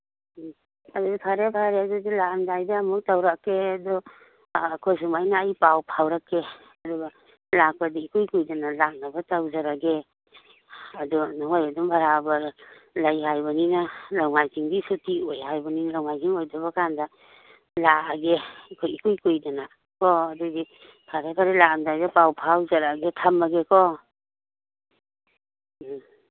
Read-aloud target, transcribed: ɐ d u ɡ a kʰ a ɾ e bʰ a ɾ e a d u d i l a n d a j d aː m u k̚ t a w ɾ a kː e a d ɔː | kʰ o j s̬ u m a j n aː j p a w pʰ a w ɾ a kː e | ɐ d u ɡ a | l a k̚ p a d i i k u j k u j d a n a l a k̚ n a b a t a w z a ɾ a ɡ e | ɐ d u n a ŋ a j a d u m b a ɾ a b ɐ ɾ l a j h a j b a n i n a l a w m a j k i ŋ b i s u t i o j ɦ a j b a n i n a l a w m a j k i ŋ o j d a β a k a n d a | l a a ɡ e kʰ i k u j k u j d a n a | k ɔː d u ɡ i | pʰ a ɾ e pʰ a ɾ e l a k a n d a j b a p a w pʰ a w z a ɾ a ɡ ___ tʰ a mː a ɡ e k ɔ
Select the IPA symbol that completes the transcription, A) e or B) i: A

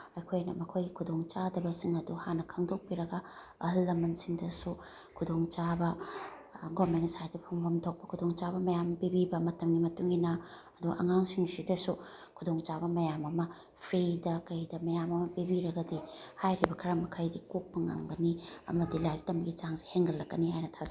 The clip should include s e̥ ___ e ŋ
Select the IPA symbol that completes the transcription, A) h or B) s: A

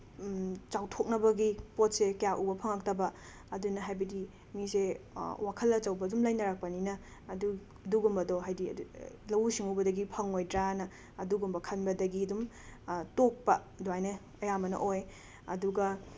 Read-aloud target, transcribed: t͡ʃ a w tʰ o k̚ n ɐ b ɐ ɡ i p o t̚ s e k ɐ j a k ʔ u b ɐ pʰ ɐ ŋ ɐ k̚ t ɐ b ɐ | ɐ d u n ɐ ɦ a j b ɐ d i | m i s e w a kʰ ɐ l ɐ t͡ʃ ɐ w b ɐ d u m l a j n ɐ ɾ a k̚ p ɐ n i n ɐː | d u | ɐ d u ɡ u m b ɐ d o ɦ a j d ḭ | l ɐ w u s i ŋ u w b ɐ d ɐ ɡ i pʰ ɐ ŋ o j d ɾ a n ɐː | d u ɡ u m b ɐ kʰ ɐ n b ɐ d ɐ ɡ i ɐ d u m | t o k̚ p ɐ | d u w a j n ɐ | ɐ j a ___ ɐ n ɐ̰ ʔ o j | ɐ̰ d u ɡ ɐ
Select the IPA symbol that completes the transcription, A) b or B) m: B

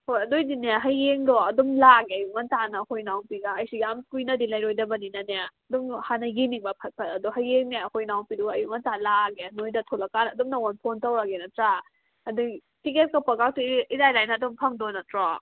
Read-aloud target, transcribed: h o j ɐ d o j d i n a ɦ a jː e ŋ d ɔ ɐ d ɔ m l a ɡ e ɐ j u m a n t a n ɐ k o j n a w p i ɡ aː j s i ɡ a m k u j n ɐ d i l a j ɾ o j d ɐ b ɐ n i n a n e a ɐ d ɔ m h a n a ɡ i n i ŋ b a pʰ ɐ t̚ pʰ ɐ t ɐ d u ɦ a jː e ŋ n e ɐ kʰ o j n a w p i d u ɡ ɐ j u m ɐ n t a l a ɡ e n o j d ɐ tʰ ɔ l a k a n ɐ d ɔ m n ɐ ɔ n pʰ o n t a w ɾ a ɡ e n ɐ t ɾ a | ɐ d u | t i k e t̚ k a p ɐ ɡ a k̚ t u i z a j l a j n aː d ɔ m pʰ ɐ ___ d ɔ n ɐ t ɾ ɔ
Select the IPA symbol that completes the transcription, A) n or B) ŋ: B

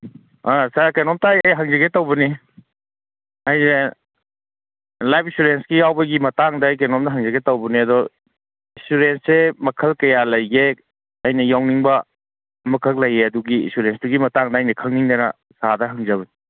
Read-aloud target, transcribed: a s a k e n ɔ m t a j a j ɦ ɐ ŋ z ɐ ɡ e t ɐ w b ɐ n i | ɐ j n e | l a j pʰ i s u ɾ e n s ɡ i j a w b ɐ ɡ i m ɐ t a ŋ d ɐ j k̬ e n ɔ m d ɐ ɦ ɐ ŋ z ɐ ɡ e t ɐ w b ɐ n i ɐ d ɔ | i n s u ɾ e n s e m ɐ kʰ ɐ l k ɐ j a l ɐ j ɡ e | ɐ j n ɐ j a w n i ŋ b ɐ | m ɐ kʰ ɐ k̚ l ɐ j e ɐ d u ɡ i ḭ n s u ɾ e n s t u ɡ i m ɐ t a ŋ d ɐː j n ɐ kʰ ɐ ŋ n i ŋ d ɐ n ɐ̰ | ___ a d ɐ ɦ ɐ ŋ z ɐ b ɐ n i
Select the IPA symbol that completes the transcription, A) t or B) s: B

